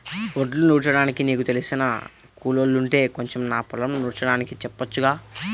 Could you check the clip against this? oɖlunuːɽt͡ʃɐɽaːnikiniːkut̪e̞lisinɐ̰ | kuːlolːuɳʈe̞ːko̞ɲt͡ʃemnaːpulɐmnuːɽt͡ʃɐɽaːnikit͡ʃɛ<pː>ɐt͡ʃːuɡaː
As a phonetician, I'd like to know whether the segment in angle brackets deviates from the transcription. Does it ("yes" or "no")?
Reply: no